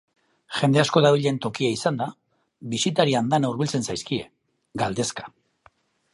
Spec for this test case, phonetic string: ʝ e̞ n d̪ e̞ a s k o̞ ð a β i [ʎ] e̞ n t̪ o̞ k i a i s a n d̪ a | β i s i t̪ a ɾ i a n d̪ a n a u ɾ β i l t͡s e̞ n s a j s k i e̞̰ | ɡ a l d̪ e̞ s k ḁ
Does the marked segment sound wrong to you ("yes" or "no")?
no